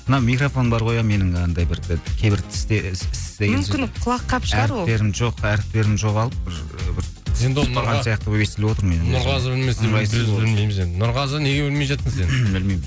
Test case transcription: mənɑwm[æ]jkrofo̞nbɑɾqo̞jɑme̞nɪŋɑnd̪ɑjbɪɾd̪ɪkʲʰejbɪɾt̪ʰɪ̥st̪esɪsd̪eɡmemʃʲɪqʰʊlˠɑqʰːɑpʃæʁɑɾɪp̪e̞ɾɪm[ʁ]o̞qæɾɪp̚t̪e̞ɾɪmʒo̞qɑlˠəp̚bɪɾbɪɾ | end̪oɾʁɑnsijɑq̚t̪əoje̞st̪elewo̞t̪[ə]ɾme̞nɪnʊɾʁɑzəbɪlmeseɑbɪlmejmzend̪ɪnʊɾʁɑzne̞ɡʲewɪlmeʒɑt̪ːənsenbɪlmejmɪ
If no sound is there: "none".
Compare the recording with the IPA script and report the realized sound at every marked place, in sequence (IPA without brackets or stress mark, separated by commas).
i, ʒ, ə